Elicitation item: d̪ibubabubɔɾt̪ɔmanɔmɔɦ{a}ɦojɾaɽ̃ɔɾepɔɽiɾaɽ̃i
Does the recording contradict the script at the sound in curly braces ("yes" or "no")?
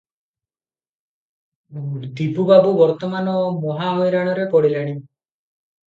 no